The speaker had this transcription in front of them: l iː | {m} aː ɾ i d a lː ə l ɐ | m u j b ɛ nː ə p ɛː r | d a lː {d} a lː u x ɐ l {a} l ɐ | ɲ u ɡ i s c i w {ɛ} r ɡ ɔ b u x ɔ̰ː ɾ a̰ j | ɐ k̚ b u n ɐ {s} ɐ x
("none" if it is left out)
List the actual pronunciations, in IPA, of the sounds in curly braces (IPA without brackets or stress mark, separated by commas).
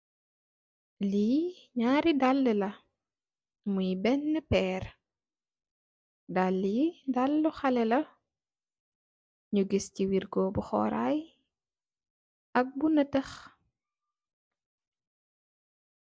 ɲ, d, ɛ, i, t